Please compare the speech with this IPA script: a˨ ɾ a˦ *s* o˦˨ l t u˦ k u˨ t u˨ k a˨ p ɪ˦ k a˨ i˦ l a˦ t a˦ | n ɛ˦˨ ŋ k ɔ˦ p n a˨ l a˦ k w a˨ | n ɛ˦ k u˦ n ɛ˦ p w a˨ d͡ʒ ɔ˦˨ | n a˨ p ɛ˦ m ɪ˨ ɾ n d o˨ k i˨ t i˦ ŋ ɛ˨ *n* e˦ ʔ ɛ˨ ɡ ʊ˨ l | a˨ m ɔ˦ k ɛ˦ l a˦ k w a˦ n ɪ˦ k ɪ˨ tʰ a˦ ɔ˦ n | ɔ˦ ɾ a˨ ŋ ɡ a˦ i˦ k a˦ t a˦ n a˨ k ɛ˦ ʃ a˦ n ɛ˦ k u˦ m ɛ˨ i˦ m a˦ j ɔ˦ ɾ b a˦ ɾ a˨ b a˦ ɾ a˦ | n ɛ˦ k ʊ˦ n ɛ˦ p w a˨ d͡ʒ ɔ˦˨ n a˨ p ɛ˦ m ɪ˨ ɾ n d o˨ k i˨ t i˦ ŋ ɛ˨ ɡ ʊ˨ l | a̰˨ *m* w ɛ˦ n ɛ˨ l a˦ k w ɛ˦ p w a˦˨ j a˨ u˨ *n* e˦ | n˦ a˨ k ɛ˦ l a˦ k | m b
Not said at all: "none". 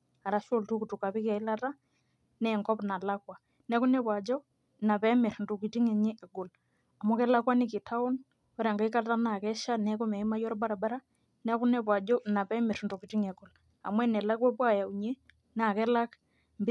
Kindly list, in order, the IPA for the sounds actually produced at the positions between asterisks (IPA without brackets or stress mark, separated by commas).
ʃ, ɲ, m, ɲ